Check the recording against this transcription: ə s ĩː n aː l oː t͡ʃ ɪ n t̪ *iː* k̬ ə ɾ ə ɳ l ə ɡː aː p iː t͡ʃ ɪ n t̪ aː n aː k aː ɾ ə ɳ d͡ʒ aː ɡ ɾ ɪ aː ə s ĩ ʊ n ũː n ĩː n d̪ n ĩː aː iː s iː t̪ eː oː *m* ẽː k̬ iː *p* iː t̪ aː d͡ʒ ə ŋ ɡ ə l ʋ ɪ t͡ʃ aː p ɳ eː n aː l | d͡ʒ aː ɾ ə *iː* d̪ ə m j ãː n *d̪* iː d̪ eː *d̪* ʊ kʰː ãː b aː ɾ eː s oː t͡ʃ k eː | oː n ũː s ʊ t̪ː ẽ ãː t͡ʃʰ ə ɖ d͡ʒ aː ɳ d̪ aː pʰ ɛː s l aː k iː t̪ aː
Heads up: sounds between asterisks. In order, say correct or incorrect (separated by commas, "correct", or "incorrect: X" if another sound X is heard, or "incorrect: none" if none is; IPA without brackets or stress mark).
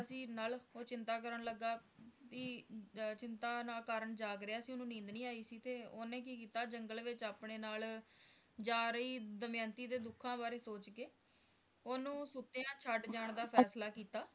incorrect: aː, incorrect: n, incorrect: k, correct, incorrect: t̪, correct